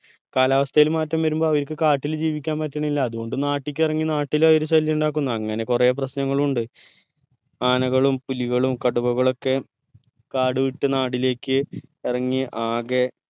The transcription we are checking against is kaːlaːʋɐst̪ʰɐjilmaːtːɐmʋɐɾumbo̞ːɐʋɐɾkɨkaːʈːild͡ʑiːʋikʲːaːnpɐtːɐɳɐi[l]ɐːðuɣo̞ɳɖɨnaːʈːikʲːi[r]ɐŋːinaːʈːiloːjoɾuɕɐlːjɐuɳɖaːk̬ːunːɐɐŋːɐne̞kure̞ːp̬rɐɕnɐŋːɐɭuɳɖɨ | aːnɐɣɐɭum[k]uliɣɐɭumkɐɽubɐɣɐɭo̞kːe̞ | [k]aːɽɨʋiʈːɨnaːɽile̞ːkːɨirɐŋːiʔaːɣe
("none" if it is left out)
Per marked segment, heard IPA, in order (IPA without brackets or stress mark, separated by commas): lː, r, p, k